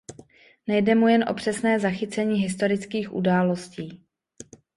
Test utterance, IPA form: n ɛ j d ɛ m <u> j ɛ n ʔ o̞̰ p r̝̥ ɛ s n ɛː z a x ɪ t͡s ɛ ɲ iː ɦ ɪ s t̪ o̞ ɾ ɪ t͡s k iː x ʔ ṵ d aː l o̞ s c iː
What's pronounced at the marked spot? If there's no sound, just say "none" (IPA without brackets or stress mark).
u